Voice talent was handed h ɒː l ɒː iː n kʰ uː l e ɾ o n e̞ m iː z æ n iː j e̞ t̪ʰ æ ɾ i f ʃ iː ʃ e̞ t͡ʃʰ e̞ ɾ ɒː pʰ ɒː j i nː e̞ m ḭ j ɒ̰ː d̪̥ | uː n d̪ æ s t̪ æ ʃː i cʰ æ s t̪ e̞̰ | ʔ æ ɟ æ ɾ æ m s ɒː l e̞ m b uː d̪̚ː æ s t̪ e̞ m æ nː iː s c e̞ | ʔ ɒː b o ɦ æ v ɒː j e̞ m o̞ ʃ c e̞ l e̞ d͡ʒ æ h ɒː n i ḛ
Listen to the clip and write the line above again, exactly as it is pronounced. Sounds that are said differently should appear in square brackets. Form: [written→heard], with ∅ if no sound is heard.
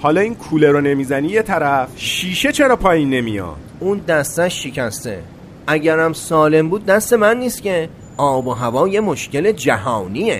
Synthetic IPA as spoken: h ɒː l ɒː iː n kʰ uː l e ɾ o n e̞ m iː z æ n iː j e̞ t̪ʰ æ ɾ [i→æ] f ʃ iː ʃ e̞ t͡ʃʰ e̞ ɾ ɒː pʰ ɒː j i nː e̞ m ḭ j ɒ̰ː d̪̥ | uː n d̪ æ s t̪ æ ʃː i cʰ æ s t̪ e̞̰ | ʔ æ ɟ æ ɾ æ m s ɒː l e̞ m b uː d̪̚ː æ s t̪ e̞ m æ nː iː s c e̞ | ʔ ɒː b o ɦ æ v ɒː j e̞ m o̞ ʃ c e̞ l e̞ d͡ʒ æ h ɒː n i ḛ